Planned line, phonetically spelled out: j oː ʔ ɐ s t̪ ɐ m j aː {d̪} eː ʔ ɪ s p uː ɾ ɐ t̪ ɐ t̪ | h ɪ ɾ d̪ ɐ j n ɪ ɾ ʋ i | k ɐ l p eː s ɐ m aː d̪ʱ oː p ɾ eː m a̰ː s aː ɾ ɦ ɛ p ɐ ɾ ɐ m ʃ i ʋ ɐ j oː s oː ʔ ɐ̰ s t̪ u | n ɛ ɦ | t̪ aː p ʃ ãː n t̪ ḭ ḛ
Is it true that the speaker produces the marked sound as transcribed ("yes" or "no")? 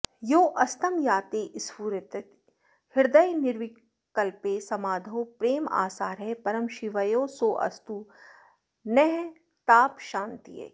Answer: no